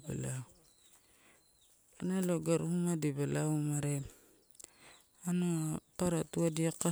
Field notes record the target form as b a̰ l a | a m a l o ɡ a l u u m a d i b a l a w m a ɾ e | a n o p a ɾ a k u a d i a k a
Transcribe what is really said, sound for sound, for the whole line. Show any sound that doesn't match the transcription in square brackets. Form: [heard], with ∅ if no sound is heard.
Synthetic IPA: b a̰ l a | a [n] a l o ɡ a [ɾ] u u m a d i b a l a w m a ɾ e | a n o p a ɾ a [t] u a d i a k a